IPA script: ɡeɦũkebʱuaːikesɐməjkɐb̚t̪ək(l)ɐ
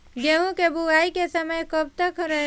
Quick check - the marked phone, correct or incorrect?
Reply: incorrect